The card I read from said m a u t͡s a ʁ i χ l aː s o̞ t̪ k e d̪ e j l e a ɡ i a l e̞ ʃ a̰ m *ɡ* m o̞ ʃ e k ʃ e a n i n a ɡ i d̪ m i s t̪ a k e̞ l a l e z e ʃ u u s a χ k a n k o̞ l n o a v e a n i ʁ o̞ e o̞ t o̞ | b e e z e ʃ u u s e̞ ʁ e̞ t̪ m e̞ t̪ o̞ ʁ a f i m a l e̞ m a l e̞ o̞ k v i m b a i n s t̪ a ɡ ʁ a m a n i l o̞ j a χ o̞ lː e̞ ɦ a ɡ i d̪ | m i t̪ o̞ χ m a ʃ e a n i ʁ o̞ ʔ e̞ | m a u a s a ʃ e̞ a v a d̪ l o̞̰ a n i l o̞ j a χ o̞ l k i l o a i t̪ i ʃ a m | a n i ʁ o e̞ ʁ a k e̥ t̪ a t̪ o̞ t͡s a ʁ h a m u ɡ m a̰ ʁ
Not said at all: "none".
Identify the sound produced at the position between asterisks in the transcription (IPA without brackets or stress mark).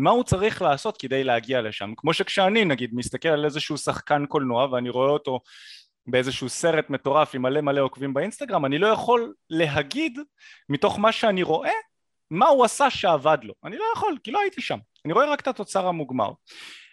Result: k